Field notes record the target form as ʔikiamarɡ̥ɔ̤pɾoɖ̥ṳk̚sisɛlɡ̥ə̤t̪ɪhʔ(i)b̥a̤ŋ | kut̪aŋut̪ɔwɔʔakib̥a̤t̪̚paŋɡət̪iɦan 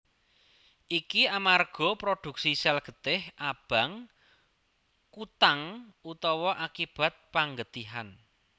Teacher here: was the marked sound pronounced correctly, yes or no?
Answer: no